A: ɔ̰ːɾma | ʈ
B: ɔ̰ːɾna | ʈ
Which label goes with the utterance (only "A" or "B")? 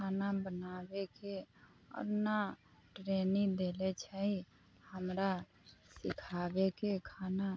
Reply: B